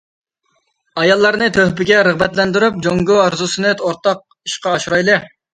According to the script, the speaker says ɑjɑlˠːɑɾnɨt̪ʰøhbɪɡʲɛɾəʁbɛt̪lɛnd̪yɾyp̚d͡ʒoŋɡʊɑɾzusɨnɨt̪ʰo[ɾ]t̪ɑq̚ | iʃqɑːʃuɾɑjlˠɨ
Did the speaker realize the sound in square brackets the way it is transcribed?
yes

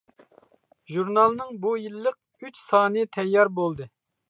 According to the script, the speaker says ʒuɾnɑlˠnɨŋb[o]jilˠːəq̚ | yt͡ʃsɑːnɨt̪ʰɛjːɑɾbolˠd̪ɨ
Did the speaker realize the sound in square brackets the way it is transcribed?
no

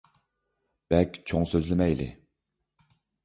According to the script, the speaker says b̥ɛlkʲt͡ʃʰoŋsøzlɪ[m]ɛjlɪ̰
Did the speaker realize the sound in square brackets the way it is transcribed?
yes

